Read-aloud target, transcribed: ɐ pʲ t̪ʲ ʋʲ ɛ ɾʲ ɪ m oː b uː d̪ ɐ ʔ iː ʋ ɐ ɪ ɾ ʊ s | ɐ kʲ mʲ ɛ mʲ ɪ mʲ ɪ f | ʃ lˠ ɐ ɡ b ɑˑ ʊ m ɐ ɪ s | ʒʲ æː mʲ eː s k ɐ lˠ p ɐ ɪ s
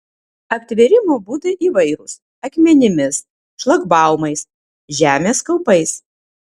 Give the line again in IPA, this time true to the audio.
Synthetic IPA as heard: ɐ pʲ t̪ʲ ʋʲ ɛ ɾʲ ɪ m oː b uː d̪ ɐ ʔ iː ʋ ɐ ɪ ɾ ʊ s | ɐ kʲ mʲ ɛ nʲ ɪ mʲ ɪ s | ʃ lˠ ɐ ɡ b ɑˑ ʊ m ɐ ɪ s | ʒʲ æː mʲ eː s k ɐ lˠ p ɐ ɪ s

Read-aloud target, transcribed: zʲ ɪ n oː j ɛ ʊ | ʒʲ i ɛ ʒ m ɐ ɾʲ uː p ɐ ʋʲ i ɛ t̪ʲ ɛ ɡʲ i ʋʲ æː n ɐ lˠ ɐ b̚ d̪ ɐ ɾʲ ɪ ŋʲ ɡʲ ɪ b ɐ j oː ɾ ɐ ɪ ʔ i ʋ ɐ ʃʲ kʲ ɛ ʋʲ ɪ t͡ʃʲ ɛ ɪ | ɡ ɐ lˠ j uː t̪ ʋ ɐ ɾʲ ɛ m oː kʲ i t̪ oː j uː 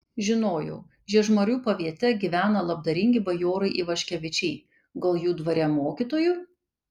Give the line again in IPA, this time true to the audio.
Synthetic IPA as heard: ʒʲ ɪ n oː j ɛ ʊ | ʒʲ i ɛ ʒ m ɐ ɾʲ uː p ɐ ʋʲ i ɛ t̪ʲ ɛ ɡʲ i ʋʲ æː n ɐ lˠ ɐ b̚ d̪ ɐ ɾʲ ɪ ŋʲ ɡʲ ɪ b ɐ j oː ɾ ɐ ɪ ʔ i ʋ ɐ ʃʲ kʲ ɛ ʋʲ ɪ t͡ʃʲ ɛ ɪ | ɡ ɐ lˠ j uː d̪ ʋ ɐ ɾʲ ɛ m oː kʲ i t̪ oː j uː

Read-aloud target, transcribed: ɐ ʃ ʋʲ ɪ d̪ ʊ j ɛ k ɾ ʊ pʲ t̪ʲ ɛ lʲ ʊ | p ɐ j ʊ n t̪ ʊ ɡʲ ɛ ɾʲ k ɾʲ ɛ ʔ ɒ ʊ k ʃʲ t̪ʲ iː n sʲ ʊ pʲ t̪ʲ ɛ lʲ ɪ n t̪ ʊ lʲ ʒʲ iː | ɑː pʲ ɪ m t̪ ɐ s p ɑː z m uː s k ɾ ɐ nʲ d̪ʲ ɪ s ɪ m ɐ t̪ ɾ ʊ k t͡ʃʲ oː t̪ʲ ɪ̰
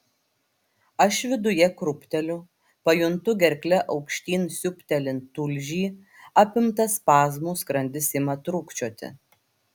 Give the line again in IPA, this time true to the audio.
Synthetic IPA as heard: ɐ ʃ ʋʲ ɪ d̪ ʊ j ɛ k ɾ ʊ pʲ t̪ʲ ɛ lʲ ʊ | p ɐ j ʊ n t̪ ʊ ɡʲ ɛ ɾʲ k lʲ ɛ ʔ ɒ ʊ k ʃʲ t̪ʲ iː n sʲ ʊ pʲ t̪ʲ ɛ lʲ ɪ n t̪ ʊ lʲ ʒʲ iː | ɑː pʲ ɪ m t̪ ɐ s p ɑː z m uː s k ɾ ɐ nʲ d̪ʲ ɪ s ɪ m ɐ t̪ ɾ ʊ k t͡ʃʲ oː t̪ʲ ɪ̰

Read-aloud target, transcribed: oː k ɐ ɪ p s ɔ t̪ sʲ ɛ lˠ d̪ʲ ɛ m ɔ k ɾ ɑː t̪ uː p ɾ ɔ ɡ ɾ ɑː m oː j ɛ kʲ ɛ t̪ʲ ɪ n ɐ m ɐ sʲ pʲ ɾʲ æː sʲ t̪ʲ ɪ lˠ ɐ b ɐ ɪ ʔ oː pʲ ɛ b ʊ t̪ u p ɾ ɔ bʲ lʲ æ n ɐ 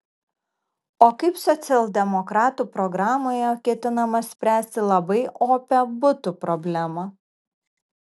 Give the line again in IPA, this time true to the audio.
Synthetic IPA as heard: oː k ɐ ɪ p s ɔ t̪ sʲ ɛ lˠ d̪ʲ ɛ m ɔ k ɾ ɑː t̪ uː p ɾ ɔ ɡ ɾ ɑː m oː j ɛ kʲ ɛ t̪ʲ ɪ n ɐ m ɐ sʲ pʲ ɾʲ æː sʲ t̪ʲ ɪ lˠ ɐ b ɐ ɪ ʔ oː pʲ ɛ b ʊ t̪ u p ɾ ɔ bʲ lʲ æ m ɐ

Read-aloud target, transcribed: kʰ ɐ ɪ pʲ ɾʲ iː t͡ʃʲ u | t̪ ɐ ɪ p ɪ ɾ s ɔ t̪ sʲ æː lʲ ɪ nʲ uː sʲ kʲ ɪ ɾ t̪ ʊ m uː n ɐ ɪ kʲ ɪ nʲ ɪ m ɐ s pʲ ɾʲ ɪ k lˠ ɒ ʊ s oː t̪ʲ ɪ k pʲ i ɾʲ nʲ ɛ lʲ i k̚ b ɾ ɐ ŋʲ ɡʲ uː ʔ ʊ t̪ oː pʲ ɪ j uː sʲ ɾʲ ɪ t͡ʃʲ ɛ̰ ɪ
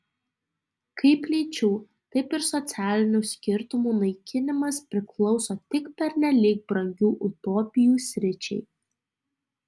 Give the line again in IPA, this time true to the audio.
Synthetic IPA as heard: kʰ ɐ ɪ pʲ lʲ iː t͡ʃʲ uː | t̪ ɐ ɪ p ɪ ɾ s ɔ t̪ sʲ æː lʲ ɪ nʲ uː sʲ kʲ ɪ ɾ t̪ ʊ m uː n ɐ ɪ kʲ ɪ nʲ ɪ m ɐ s pʲ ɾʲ ɪ k lˠ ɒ ʊ s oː t̪ʲ ɪ k pʲ ɛ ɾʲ nʲ ɛ lʲ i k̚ b ɾ ɐ ŋʲ ɡʲ uː ʔ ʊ t̪ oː pʲ ɪ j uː sʲ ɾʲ ɪ t͡ʃʲ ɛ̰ ɪ

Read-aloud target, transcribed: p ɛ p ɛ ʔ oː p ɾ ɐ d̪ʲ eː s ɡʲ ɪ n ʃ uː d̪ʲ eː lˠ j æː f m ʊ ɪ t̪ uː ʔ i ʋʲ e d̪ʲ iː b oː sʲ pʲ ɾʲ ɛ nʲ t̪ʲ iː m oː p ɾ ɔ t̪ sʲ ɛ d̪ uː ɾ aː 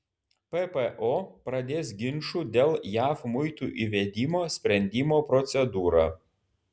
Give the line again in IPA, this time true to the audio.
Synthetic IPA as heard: p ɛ p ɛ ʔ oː p ɾ ɐ d̪ʲ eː s ɡʲ ɪ n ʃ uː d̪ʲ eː lˠ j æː f m ʊ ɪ t̪ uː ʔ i ʋʲ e d̪ʲ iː m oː sʲ pʲ ɾʲ ɛ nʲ d̪ʲ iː m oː p ɾ ɔ t̪ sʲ ɛ d̪ uː ɾ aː

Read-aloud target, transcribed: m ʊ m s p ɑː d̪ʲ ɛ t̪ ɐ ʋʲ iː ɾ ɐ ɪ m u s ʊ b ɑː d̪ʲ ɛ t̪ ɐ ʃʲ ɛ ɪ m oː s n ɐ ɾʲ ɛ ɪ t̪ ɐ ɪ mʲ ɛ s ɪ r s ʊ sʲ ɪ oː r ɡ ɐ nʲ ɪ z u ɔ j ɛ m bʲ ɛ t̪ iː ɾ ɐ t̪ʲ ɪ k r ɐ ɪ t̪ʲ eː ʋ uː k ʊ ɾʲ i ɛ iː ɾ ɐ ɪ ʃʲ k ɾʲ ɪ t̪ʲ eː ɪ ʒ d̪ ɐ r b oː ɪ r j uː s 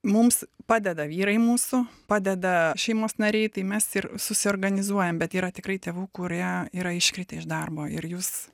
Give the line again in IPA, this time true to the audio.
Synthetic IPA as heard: m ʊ m s p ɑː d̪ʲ ɛ d̪ ɐ ʋʲ iː ɾ ɐ ɪ m uː s ʊ p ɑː d̪ʲ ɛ d̪ ɐ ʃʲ ɛ ɪ m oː s n ɐ ɾʲ ɛ ɪ t̪ ɐ ɪ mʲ ɛ s ɪ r s ʊ sʲ ɪ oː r ɡ ɐ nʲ ɪ z u ɔ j ɛ m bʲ ɛ t̪ iː ɾ ɐ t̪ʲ ɪ k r ɐ ɪ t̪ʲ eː ʋ uː k ʊ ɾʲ i ɛ iː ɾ ɐ ɪ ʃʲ k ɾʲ ɪ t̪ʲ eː ɪ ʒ d̪ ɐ r b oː ɪ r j uː s

